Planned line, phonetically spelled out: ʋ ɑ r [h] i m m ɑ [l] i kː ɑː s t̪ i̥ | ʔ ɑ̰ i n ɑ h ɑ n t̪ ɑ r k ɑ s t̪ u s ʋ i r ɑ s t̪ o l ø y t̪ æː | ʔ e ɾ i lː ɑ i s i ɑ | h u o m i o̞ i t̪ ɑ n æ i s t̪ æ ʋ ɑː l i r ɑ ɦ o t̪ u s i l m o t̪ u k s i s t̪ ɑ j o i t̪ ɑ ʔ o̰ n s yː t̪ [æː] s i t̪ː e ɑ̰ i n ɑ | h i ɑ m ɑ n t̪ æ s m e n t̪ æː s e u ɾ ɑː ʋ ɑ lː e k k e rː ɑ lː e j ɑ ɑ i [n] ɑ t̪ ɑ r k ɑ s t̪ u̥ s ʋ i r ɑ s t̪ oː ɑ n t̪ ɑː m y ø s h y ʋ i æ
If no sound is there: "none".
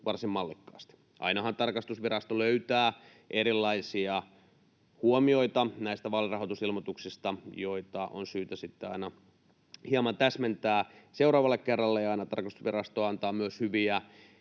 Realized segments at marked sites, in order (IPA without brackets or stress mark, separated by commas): s, lː, æ, n